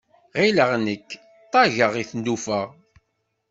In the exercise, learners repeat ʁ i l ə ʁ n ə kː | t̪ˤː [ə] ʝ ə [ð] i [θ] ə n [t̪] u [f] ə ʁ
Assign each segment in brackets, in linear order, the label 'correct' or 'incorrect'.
incorrect, incorrect, correct, incorrect, correct

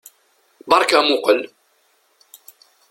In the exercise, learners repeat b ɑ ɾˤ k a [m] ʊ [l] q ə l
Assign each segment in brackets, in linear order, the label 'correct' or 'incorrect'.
correct, incorrect

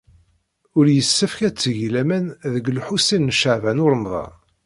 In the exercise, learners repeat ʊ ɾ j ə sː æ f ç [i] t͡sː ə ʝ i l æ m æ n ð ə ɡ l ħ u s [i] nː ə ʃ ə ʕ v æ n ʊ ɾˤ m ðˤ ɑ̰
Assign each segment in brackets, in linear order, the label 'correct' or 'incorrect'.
incorrect, correct

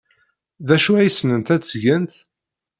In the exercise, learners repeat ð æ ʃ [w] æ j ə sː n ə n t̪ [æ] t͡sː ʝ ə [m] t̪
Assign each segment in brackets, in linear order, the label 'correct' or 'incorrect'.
incorrect, correct, incorrect

